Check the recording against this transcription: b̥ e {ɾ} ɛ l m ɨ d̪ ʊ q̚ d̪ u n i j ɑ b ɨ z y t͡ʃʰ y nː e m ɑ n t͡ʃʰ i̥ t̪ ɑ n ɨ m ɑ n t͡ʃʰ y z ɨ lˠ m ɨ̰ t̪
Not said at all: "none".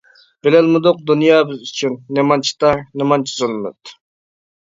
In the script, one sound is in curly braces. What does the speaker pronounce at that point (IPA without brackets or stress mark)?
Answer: l